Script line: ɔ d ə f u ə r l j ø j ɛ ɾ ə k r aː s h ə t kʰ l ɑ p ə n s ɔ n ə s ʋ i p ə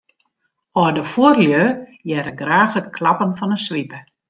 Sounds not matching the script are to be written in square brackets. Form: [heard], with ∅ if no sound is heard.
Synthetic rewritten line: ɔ d ə f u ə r l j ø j ɛ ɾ ə [ɡ] r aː [x] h ə t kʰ l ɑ p ə n [f] ɔ n ə s ʋ i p ə